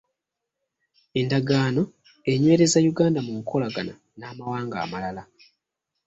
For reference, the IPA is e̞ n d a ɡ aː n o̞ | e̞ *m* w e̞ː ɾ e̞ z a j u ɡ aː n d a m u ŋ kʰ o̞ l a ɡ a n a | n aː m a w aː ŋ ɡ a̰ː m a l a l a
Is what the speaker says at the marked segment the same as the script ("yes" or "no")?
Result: no